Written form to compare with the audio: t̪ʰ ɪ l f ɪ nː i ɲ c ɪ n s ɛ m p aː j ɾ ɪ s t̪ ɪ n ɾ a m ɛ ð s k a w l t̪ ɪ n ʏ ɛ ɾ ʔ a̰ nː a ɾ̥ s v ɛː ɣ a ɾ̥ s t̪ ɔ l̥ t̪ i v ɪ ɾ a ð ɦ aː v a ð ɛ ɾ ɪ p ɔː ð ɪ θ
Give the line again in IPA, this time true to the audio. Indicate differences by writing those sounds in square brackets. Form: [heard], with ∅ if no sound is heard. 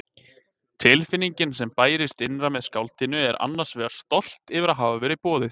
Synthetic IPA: t̪ʰ ɪ l f ɪ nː i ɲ c ɪ n s ɛ m p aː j ɾ ɪ s t̪ ɪ n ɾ a m ɛ ð s k a w l t̪ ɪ n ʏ ɛ ɾ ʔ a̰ nː a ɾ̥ s v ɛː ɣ a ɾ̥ s t̪ ɔ l̥ t̪ [ɪ] v ɪ ɾ a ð ɦ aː v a [v] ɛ ɾ ɪ p ɔː ð ɪ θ